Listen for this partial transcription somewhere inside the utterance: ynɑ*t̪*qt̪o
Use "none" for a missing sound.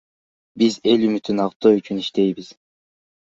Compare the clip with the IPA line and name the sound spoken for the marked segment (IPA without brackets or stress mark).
none